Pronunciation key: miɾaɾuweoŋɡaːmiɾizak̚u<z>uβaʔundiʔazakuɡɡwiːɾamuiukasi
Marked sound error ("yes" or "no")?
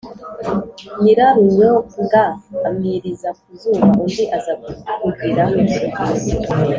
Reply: no